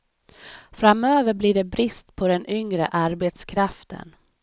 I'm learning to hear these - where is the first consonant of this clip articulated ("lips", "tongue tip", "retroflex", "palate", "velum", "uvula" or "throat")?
lips